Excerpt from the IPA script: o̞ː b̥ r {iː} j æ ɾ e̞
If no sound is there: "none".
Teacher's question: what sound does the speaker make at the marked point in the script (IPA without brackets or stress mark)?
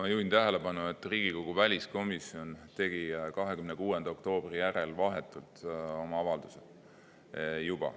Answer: i